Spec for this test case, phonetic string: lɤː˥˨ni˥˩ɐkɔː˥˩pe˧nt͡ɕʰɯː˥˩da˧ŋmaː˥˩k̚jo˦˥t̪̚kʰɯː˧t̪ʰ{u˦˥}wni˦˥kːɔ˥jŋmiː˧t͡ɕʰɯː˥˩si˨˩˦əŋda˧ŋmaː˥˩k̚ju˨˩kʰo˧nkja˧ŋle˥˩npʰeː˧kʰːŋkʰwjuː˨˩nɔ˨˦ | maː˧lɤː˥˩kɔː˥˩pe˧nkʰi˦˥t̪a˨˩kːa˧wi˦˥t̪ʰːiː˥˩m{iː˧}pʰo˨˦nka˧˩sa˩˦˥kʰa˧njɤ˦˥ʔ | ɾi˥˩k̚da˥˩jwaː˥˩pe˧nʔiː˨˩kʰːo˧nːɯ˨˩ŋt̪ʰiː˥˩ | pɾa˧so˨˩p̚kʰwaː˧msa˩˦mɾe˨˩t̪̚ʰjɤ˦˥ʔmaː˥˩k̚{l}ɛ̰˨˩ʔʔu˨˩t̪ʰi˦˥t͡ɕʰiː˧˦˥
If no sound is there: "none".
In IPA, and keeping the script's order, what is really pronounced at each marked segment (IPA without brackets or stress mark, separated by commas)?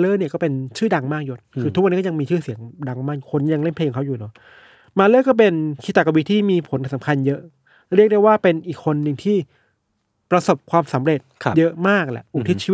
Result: u˦˥, iː˧, l